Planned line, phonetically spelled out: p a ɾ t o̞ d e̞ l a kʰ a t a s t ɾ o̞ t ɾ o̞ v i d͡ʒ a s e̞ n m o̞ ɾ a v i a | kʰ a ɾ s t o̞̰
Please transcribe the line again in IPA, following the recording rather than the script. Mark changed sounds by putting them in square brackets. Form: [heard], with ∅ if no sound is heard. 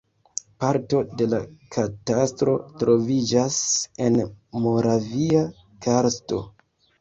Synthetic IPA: p a ɾ t o̞ d e̞ l a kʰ a t a s t ɾ o̞ t ɾ o̞ v i d͡ʒ a s e̞ n m o̞ ɾ a v i a | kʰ a ɾ s t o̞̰